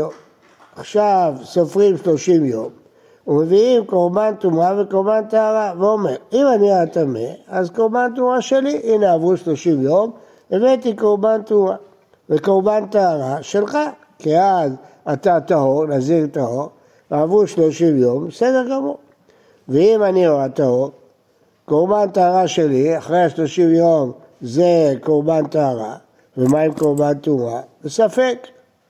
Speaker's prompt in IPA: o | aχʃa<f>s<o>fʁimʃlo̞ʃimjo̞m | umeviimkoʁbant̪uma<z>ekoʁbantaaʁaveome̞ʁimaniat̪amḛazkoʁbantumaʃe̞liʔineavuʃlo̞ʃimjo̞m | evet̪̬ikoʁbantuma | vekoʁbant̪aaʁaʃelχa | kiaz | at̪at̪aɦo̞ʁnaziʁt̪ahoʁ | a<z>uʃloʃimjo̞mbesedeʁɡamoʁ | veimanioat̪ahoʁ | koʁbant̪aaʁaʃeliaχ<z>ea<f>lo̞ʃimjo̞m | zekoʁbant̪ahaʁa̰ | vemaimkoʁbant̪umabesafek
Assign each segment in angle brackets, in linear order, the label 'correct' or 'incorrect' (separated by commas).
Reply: incorrect, correct, incorrect, incorrect, incorrect, incorrect